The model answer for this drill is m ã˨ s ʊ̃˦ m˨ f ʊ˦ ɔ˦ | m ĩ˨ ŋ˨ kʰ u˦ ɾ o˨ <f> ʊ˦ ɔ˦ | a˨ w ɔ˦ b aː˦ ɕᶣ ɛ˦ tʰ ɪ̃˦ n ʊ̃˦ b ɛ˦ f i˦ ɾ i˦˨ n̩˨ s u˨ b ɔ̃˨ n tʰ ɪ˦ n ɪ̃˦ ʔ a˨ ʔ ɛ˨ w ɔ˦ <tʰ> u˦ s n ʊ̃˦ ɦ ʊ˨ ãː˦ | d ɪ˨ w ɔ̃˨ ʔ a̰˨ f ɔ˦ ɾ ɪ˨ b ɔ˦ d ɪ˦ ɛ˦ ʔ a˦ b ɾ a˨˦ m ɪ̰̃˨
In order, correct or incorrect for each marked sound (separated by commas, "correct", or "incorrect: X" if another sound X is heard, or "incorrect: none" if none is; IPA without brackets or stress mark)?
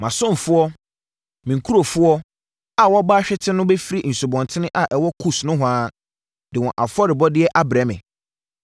correct, incorrect: kʰ